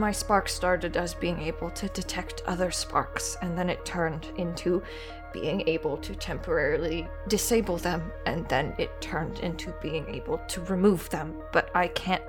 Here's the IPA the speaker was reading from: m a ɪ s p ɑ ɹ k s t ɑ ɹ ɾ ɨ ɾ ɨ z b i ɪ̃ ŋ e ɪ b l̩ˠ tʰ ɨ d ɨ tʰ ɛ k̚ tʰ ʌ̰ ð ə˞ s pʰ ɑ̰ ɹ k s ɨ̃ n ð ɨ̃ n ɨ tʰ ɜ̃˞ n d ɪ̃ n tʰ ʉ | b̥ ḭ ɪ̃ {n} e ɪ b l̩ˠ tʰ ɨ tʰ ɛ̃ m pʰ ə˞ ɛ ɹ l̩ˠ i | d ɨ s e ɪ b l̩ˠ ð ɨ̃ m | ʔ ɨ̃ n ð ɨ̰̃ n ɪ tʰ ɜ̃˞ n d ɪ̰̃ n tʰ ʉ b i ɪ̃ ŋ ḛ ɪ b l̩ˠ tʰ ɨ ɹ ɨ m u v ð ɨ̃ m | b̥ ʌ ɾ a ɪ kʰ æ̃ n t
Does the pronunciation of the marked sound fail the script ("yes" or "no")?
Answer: yes